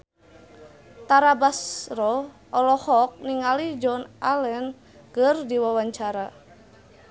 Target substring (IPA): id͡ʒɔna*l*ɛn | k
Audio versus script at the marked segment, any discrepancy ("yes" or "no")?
no